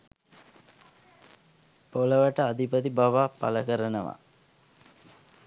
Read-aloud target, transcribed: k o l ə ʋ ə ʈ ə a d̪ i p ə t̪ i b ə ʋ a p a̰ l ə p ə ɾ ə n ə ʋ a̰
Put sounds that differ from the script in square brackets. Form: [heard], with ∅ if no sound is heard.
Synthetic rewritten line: [p] o l ə ʋ ə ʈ ə a d̪ i p ə t̪ i b [a] ʋ a p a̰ l ə [k] ə ɾ ə n ə ʋ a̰